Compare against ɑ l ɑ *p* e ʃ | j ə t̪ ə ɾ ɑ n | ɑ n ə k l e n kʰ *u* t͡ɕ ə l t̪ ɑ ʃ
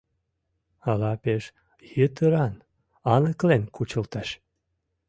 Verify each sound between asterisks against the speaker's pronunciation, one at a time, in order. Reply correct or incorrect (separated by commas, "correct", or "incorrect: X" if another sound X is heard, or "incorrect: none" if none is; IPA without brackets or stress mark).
correct, correct